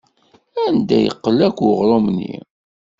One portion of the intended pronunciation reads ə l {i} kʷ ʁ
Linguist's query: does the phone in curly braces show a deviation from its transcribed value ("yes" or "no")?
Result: yes